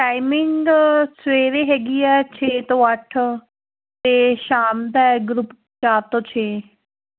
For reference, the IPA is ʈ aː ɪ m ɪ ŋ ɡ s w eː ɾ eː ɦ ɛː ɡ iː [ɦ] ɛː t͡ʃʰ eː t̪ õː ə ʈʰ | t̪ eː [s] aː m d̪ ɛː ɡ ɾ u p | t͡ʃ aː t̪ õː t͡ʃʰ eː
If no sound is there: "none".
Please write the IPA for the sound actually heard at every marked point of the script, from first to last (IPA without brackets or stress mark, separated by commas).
none, ʃ